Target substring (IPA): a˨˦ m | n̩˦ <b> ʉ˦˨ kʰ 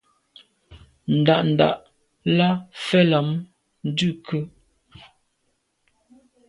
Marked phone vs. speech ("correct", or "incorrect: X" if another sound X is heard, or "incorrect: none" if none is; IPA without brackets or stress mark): incorrect: d